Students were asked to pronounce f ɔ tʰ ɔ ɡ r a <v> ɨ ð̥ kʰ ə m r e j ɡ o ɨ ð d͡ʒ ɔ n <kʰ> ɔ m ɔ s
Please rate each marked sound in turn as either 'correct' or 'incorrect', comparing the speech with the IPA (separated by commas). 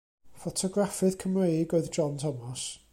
incorrect, incorrect